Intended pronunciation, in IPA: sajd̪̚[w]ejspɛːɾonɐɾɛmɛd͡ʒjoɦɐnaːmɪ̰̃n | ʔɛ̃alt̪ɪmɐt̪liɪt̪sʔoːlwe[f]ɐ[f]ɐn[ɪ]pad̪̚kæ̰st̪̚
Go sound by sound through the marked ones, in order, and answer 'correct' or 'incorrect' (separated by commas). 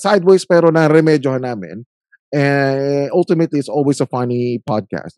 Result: correct, incorrect, correct, incorrect